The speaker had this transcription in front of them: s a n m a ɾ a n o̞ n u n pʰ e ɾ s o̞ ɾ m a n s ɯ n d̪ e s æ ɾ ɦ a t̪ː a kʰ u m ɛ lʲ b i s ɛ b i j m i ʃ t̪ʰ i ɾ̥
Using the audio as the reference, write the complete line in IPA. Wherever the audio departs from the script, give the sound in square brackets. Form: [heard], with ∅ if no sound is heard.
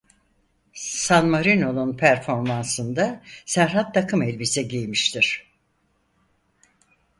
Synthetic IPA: s a n m a ɾ [i] n o̞ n u n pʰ [æ] ɾ [f] o̞ ɾ m a n s ɯ n d̪ [a] s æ ɾ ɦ a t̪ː a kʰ [ɯ] m ɛ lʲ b i s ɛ [ɟ] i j m i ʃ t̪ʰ i ɾ̥

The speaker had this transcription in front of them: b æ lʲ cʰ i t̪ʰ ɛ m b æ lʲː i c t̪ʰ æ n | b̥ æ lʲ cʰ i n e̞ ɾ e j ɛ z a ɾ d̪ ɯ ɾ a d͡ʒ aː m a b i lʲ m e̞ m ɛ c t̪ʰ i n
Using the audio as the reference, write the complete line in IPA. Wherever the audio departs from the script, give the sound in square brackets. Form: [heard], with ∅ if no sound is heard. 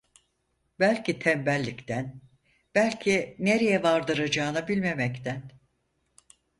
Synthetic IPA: b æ lʲ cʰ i t̪ʰ ɛ m b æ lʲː i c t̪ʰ æ n | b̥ æ lʲ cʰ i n e̞ ɾ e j ɛ [v] a ɾ d̪ ɯ ɾ a d͡ʒ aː [n] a b i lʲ m e̞ m ɛ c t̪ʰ [æ] n

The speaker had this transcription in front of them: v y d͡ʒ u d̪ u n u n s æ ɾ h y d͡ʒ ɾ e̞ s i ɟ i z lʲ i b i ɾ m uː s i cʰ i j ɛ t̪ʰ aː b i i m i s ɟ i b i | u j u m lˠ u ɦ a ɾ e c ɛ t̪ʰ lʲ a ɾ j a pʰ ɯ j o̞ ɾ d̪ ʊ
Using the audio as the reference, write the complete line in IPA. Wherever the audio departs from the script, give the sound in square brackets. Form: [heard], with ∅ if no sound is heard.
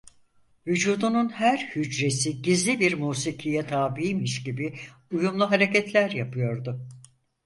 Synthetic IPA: v y d͡ʒ [uː] d̪ u n u n [h] æ ɾ h y d͡ʒ ɾ e̞ s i ɟ i z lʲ i b i ɾ m uː s i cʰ i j ɛ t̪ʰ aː b i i m i [ʃ] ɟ i b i | u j u m lˠ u ɦ a ɾ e c ɛ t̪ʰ lʲ [æ] ɾ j a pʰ ɯ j o̞ ɾ d̪ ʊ

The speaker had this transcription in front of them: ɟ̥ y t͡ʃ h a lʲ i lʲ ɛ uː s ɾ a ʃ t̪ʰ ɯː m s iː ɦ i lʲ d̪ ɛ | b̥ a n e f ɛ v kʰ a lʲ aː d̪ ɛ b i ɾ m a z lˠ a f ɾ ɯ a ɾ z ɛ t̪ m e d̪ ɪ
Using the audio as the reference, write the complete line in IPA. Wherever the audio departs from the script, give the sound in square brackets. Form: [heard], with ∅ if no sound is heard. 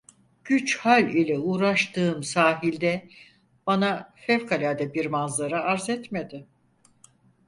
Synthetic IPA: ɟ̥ y t͡ʃ h a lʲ i lʲ ɛ uː [∅] ɾ a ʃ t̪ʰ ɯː m s [aː] ɦ i lʲ d̪ ɛ | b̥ a n [a] f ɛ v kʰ a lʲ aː d̪ ɛ b i ɾ m a z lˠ a [∅] ɾ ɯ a ɾ z ɛ t̪ m e d̪ ɪ

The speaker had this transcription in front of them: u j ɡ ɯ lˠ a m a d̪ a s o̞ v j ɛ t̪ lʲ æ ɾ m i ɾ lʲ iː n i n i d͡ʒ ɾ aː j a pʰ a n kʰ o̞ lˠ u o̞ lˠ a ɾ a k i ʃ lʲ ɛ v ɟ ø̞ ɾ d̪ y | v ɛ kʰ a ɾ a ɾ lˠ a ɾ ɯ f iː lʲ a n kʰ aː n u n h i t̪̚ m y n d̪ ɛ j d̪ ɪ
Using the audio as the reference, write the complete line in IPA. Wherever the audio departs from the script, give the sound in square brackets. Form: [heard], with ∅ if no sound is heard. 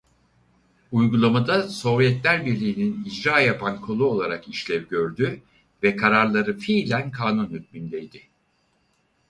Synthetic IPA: u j ɡ [u] lˠ a m a d̪ a s o̞ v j ɛ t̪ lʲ æ ɾ [b] i ɾ lʲ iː n i n i d͡ʒ ɾ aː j a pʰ a n kʰ o̞ lˠ u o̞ lˠ a ɾ a k i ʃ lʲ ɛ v ɟ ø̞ ɾ d̪ y | v ɛ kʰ a ɾ a ɾ lˠ a ɾ ɯ f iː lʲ [æ] n kʰ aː n u n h [y] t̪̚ m y n d̪ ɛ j d̪ ɪ

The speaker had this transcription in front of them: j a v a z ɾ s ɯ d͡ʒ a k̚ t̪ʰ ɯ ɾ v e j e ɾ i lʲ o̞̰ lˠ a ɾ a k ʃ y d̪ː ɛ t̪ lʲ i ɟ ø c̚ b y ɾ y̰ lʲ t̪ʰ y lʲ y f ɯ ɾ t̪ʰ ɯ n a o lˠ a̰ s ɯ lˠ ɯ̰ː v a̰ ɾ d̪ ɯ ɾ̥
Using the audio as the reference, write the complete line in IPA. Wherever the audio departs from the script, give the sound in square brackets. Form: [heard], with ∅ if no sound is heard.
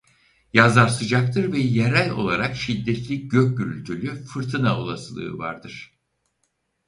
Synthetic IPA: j a [z] a [∅] ɾ s ɯ d͡ʒ a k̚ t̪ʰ ɯ ɾ v [ɛ] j e ɾ [æ] lʲ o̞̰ lˠ a ɾ a k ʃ [i] d̪ː ɛ t̪ lʲ i ɟ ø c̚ [ɟ] y ɾ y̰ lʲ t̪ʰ y lʲ y f ɯ ɾ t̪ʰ ɯ n a o lˠ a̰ s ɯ lˠ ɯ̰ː v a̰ ɾ d̪ ɯ ɾ̥

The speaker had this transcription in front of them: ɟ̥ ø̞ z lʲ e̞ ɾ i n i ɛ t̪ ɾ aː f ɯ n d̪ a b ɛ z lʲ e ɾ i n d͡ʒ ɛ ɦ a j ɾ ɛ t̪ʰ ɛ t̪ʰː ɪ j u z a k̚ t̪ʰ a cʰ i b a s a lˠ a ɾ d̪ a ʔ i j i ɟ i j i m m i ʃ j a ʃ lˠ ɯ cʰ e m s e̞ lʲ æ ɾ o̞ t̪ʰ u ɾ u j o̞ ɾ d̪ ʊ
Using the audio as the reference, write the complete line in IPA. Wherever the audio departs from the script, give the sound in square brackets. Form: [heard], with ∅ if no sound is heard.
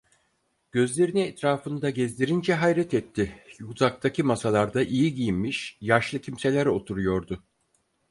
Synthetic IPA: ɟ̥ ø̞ z lʲ e̞ ɾ i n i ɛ t̪ ɾ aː f ɯ n d̪ a [ɟ] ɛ z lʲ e ɾ i n d͡ʒ ɛ ɦ a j ɾ ɛ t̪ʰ ɛ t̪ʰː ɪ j u z a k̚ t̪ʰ a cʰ i [m] a s a lˠ a ɾ d̪ a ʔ i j i ɟ i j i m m i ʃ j a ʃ lˠ ɯ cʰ [i] m s e̞ lʲ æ ɾ o̞ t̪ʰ u ɾ u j o̞ ɾ d̪ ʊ

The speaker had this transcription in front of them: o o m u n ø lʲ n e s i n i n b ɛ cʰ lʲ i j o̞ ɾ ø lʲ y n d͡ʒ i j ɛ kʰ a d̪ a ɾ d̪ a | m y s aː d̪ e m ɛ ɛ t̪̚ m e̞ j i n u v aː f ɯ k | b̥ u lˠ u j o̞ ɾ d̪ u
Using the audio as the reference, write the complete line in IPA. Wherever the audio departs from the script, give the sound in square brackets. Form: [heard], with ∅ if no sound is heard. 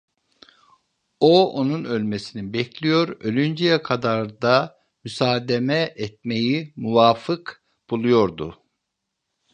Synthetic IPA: o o [n] u n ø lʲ [m] e s i n i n b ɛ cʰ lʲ i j o̞ ɾ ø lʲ y n d͡ʒ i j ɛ kʰ a d̪ a ɾ d̪ a | m y s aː d̪ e m ɛ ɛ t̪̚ m e̞ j i [m] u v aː f ɯ k | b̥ u lˠ u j o̞ ɾ d̪ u

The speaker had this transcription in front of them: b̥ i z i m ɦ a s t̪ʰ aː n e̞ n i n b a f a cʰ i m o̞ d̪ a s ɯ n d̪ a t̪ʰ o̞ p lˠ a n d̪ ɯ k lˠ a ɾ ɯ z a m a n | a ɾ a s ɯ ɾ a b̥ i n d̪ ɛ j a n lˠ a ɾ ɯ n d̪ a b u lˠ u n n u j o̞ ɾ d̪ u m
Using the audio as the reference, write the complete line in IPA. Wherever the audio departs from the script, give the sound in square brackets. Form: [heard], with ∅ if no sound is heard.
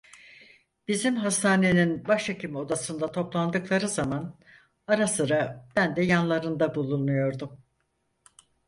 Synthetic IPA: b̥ i z i m ɦ a s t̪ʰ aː n e̞ n i n b a [ʃ] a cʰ i m o̞ d̪ a s ɯ n d̪ a t̪ʰ o̞ p lˠ a n d̪ ɯ k lˠ a ɾ ɯ z a m a n | a ɾ a s ɯ ɾ a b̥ [æ] n d̪ ɛ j a n lˠ a ɾ ɯ n d̪ a b u lˠ u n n u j o̞ ɾ d̪ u m

